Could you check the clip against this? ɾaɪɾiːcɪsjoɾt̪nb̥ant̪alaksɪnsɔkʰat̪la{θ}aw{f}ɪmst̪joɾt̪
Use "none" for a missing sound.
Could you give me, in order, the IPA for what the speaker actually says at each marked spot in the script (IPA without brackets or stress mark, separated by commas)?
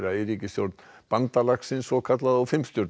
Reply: ð, f